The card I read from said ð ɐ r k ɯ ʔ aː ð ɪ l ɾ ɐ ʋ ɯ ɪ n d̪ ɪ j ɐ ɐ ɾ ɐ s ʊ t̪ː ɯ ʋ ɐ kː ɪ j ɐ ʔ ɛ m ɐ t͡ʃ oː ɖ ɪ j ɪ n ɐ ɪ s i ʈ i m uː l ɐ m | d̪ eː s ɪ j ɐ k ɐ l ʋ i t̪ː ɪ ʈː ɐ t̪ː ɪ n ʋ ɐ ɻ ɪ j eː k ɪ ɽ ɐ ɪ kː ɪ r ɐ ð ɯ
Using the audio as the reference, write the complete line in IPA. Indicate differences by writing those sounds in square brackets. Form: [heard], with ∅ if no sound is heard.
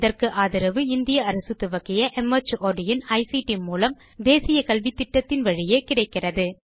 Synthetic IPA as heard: ð ɐ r k ɯ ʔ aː ð ɪ [∅] ɾ ɐ ʋ ɯ ɪ n d̪ ɪ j ɐ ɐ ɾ ɐ s [ɯ] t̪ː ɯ ʋ ɐ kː ɪ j ɐ ʔ ɛ m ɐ t͡ʃ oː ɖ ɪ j ɪ n ɐ ɪ s i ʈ i m uː l ɐ m | d̪ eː s ɪ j ɐ k ɐ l ʋ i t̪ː ɪ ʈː ɐ t̪ː ɪ n ʋ ɐ ɻ ɪ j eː k ɪ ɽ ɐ ɪ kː ɪ r ɐ ð ɯ

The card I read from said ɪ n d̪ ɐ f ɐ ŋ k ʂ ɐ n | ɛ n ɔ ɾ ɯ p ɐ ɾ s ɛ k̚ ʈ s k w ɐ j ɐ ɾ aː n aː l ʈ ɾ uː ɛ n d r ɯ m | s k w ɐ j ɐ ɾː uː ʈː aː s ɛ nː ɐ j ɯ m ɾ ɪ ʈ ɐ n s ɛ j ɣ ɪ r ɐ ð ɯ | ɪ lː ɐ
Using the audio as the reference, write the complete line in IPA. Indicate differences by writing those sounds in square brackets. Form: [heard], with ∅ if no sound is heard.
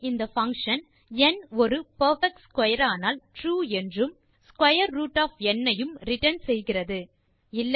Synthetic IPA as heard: ɪ n d̪ ɐ f ɐ ŋ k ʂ ɐ n | ɛ n ɔ ɾ ɯ p ɐ ɾ [f] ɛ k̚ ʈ s k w ɐ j ɐ ɾ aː n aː l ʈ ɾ uː ɛ n d r ɯ m | s k w ɐ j ɐ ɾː uː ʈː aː [f] ɛ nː ɐ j ɯ m ɾ ɪ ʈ ɐ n s ɛ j ɣ ɪ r ɐ ð ɯ | ɪ lː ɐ

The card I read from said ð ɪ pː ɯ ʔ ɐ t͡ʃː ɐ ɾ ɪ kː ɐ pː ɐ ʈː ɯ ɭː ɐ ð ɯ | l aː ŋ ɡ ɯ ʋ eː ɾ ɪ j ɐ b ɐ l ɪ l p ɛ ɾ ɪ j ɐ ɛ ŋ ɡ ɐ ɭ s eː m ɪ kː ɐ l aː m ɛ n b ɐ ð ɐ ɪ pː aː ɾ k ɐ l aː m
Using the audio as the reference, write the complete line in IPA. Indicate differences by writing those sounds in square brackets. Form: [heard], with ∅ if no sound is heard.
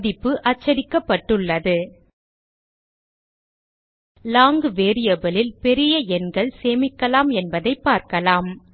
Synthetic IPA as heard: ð ɪ pː ɯ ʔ ɐ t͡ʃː ɐ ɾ ɪ kː ɐ pː ɐ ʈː ɯ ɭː ɐ ð ɯ | l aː ŋ ɡ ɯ ʋ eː ɾ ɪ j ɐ b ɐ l ɪ l p ɛ ɾ ɪ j ɐ ɛ [n] ɡ ɐ ɭ s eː m ɪ kː ɐ l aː m ɛ n b ɐ ð ɐ ɪ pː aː ɾ k ɐ l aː m

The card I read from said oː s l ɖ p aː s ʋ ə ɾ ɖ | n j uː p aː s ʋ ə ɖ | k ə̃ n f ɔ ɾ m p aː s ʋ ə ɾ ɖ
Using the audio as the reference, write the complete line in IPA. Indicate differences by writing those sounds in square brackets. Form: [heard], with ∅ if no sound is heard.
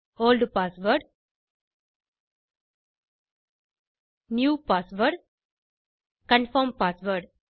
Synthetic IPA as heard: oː [∅] l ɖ p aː s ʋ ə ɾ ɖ | n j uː p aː s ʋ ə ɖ | k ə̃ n f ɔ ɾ m p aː s ʋ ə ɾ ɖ

